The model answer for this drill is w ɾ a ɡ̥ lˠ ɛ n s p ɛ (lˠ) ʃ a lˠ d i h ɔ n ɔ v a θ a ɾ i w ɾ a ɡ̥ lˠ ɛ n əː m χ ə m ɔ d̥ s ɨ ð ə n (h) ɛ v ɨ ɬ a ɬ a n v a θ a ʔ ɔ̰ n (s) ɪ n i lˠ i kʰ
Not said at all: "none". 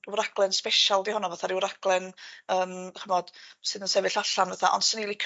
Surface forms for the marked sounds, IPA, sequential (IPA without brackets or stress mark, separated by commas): none, s, s